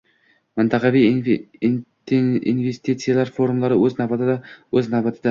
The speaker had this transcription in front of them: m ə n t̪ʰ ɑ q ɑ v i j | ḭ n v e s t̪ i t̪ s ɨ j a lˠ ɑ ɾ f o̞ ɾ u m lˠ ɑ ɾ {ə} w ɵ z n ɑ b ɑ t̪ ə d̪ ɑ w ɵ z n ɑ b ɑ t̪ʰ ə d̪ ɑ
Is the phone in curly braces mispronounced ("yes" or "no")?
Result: no